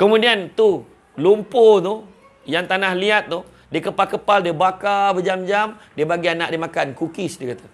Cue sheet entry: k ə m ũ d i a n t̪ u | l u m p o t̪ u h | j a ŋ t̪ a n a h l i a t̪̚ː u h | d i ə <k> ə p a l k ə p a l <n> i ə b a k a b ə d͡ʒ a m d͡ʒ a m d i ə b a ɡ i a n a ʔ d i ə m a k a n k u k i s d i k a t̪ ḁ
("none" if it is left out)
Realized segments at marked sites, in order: k, d

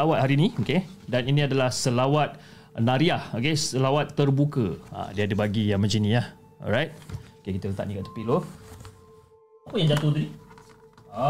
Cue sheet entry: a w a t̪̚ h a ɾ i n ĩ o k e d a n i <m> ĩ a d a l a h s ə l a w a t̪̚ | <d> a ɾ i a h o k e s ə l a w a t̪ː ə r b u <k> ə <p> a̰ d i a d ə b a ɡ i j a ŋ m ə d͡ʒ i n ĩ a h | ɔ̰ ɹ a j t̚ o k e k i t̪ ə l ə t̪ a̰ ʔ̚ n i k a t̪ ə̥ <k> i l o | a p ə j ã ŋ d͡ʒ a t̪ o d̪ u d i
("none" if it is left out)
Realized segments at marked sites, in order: n, n, k, none, p

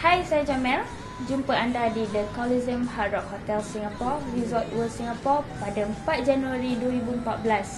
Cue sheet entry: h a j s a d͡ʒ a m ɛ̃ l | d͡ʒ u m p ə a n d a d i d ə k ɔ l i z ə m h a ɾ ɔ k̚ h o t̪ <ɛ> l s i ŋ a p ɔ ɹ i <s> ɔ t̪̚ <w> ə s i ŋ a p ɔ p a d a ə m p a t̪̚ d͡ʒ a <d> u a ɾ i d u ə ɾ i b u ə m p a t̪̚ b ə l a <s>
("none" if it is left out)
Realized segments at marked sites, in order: ɛ, z, w, n, s

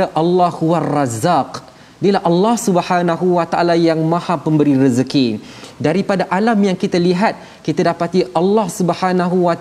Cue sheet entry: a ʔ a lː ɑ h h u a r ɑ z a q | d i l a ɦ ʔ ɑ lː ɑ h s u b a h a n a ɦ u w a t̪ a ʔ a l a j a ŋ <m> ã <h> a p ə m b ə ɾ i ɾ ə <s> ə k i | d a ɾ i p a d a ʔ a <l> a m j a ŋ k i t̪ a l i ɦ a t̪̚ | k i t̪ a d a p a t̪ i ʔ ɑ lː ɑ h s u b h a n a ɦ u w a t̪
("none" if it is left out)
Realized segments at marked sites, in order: m, h, z, l

